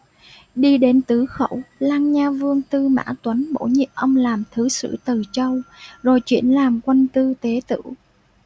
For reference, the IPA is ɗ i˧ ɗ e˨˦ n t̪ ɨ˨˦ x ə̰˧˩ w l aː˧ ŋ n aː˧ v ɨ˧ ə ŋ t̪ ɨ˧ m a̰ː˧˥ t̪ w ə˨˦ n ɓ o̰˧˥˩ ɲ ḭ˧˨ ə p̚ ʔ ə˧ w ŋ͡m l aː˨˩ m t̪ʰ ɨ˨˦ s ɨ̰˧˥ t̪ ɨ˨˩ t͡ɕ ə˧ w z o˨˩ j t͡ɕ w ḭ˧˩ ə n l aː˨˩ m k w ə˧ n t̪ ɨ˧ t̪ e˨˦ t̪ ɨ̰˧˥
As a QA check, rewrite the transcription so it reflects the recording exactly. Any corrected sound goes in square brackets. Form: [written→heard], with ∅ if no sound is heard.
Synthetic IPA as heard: ɗ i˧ ɗ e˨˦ n t̪ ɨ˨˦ x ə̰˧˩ w l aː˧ ŋ [n→ɲ] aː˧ v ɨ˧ ə ŋ t̪ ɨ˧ m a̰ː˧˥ t̪ w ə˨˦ n ɓ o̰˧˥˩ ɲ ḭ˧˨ ə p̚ ʔ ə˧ w ŋ͡m l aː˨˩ m t̪ʰ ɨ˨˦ s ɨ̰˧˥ t̪ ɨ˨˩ t͡ɕ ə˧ w z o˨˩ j t͡ɕ w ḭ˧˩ ə n l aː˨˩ m k w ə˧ n t̪ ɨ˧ t̪ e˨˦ t̪ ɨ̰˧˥